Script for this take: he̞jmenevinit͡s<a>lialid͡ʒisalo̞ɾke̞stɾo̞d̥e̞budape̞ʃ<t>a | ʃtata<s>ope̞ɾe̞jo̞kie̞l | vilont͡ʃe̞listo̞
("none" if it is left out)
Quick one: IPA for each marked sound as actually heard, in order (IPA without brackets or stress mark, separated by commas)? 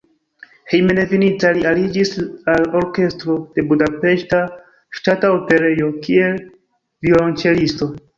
a, t, none